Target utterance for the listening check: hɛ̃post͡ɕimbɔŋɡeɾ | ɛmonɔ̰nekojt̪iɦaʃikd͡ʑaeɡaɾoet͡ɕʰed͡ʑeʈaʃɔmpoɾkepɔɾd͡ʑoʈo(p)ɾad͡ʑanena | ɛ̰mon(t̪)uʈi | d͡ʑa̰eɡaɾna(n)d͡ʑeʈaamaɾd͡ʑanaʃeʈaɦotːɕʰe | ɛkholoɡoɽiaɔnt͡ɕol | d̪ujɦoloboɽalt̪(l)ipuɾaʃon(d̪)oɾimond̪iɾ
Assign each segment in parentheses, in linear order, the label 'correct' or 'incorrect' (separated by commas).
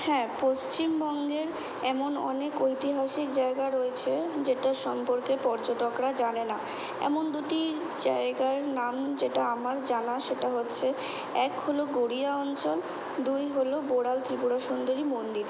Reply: incorrect, incorrect, incorrect, incorrect, correct